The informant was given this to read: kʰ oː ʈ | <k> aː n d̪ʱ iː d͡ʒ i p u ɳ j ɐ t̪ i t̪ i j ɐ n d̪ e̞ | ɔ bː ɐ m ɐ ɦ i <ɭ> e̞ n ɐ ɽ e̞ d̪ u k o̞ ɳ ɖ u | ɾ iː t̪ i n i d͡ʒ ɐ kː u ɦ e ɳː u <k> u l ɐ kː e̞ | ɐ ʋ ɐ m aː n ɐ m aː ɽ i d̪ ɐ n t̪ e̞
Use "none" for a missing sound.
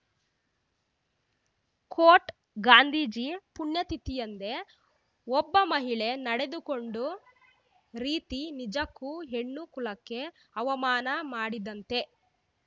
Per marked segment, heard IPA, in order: ɡ, ɭ, k

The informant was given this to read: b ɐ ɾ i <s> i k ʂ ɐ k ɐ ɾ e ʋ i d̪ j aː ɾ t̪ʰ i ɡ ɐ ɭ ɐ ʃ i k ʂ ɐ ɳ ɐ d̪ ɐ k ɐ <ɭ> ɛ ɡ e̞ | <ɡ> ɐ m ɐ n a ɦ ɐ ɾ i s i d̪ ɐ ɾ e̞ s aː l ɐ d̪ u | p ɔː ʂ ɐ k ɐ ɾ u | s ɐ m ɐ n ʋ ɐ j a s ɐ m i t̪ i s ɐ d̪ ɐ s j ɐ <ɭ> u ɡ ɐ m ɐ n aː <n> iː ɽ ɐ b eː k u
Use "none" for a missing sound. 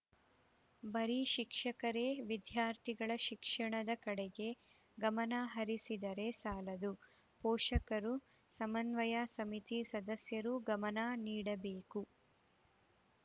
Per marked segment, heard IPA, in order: ʃ, ɽ, ɡ, ɾ, n

